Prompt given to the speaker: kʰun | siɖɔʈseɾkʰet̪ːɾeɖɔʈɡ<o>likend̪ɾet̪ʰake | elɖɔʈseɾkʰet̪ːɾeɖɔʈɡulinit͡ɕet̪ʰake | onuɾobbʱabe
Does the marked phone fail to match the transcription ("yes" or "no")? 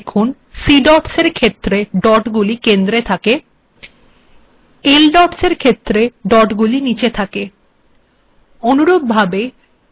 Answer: yes